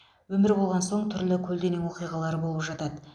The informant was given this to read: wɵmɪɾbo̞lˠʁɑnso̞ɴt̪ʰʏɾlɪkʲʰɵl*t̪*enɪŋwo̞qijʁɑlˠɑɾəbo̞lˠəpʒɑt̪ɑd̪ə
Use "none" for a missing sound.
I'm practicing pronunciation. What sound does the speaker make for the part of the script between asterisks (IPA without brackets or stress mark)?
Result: d̪